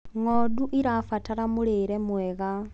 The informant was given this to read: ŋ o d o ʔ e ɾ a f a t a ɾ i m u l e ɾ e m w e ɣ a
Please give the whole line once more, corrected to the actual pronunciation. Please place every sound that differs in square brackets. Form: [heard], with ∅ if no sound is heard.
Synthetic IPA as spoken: ŋ o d [u] ʔ [i] ɾ a f a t a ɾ [a] m u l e ɾ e m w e ɣ a